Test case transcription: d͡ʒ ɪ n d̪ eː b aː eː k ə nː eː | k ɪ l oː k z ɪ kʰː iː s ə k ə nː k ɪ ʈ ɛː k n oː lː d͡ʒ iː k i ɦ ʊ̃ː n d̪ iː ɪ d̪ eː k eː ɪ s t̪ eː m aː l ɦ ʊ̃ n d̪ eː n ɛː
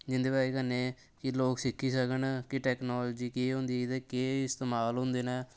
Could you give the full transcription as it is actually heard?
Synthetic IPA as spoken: d͡ʒ ɪ n d̪ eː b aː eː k ə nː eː | k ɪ l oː k s ɪ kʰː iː s ə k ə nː k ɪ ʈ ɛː k n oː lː d͡ʒ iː k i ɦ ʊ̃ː n d̪ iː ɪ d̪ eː k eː ɪ s t̪ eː m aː l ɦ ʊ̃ n d̪ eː n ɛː